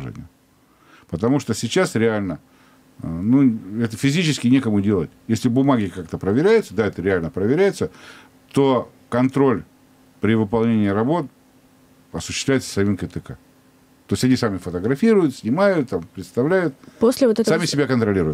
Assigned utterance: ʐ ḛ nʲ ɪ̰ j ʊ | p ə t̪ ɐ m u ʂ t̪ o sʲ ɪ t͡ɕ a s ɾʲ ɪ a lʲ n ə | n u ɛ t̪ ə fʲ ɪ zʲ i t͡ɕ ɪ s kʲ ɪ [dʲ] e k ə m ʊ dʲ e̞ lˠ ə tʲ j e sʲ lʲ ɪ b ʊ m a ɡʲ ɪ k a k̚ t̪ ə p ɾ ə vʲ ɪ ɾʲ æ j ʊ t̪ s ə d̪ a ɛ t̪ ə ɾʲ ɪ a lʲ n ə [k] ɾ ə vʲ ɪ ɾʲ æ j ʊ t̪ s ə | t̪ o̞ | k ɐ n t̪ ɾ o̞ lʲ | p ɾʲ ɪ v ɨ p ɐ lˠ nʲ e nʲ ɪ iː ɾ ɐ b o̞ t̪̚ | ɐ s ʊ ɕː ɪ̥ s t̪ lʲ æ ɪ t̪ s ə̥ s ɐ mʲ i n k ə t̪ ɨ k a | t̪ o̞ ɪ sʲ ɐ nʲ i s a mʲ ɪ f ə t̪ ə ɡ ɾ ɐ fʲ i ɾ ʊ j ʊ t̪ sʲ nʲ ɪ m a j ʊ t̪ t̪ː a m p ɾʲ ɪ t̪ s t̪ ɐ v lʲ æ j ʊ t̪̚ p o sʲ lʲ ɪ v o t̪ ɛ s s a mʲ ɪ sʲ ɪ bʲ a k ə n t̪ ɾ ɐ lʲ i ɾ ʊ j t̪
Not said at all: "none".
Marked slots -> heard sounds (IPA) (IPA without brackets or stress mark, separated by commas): nʲ, p